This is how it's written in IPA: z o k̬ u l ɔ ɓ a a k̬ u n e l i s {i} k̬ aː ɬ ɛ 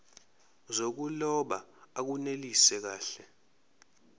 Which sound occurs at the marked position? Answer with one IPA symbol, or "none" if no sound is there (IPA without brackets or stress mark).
ɛ